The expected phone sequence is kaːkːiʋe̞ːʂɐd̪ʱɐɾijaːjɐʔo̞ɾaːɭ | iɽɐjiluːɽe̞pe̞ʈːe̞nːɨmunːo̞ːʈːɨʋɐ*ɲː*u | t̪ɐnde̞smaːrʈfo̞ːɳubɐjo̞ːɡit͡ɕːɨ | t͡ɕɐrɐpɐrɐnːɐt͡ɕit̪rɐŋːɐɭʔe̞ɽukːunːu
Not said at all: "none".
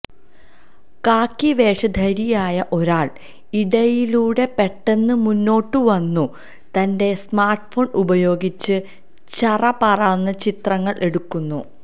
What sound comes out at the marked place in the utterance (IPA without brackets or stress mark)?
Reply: nː